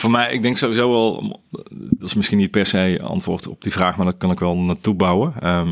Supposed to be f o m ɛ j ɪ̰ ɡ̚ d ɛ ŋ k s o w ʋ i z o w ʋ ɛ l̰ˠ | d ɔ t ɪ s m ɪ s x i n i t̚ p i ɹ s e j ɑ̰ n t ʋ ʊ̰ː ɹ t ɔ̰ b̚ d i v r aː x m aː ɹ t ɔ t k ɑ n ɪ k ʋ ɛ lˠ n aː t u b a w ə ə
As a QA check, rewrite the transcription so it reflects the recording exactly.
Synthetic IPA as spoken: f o m ɛ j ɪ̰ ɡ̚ d ɛ ŋ k s o w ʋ i z o w ʋ ɛ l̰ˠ | d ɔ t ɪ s m ɪ s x i n i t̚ p ɛ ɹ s e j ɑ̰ n t ʋ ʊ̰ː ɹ t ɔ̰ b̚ d i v r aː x m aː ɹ d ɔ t k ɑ n ɪ k ʋ ɛ lˠ n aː t u b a w ə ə